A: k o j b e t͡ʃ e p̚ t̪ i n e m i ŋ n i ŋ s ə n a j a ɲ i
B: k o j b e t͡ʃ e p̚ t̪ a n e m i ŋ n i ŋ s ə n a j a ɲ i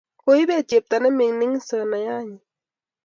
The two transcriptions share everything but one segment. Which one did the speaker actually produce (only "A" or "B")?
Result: B